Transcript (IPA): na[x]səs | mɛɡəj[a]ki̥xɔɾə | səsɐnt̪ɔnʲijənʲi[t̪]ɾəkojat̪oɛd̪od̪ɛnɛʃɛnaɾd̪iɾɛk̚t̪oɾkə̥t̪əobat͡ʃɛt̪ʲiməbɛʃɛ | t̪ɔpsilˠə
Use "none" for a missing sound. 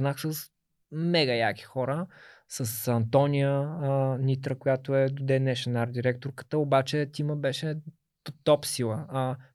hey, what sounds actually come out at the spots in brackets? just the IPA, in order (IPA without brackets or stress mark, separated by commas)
x, a, t̪